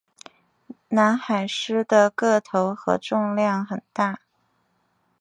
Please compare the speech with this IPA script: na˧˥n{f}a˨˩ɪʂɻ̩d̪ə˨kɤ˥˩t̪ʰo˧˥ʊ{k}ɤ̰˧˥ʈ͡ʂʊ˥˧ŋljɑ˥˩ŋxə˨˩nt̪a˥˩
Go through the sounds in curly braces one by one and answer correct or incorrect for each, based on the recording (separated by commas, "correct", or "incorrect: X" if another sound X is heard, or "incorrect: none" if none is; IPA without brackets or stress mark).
incorrect: x, incorrect: x